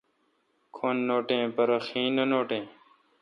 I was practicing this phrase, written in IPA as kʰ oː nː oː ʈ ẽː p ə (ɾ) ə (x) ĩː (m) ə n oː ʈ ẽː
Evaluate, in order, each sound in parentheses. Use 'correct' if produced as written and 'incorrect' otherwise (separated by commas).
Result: correct, correct, incorrect